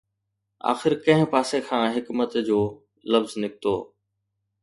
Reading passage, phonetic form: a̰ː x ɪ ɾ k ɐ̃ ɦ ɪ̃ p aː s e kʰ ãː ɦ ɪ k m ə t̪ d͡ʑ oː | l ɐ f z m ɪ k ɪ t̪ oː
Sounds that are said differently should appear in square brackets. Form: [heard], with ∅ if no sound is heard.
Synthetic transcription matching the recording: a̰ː x ɪ ɾ k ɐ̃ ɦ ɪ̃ p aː s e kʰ ãː ɦ ɪ k m ə t̪ d͡ʑ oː | l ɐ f z [n] ɪ k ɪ t̪ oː